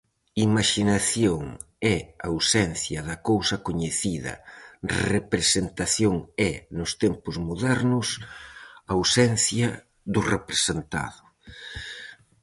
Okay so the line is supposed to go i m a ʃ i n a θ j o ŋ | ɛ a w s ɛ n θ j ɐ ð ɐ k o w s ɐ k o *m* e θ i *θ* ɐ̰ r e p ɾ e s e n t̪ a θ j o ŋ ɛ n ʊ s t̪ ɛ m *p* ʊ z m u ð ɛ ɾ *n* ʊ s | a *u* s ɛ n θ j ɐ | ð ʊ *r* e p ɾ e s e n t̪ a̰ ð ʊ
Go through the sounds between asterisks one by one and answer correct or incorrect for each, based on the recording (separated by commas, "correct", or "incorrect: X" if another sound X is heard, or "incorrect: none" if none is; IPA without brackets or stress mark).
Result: incorrect: ɲ, incorrect: ð, correct, correct, incorrect: w, correct